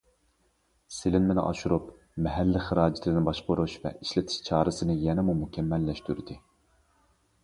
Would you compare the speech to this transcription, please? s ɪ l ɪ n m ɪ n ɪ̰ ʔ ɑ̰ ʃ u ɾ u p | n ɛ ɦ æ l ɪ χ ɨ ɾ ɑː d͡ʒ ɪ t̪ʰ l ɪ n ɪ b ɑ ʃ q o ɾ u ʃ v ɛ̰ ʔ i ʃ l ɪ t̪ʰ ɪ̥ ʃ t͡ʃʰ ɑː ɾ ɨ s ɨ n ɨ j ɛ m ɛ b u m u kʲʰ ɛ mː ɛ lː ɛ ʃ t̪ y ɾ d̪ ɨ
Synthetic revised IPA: s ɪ l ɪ n m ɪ n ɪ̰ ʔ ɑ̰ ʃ u ɾ u p | m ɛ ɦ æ lː ɪ χ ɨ ɾ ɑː d͡ʒ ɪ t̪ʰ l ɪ n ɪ b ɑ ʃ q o ɾ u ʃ v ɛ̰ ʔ i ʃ l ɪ t̪ʰ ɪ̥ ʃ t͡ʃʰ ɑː ɾ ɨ s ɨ n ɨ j ɛ n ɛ m u m u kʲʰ ɛ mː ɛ lː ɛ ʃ t̪ y ɾ d̪ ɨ